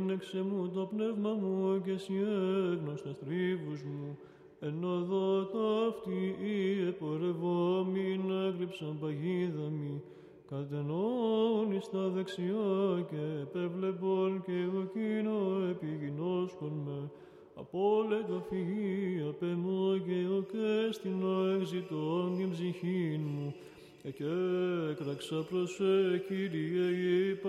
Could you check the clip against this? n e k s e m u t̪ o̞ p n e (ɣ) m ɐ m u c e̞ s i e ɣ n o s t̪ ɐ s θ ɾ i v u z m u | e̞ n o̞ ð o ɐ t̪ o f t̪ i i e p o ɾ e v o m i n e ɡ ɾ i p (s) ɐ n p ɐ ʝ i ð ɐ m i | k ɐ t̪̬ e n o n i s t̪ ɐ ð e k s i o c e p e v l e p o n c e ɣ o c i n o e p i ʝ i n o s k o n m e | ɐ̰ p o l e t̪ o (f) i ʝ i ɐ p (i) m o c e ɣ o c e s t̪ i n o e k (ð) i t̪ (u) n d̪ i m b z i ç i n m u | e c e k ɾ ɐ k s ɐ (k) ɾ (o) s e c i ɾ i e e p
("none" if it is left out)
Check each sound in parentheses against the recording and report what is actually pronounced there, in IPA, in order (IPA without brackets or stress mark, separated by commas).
v, s, f, e, z, o, p, o